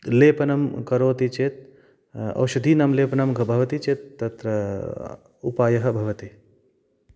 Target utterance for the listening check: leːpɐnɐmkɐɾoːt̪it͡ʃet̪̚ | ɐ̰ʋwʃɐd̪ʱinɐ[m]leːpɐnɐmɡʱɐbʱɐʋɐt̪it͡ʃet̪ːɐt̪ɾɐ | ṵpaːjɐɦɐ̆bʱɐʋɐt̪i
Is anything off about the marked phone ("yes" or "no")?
no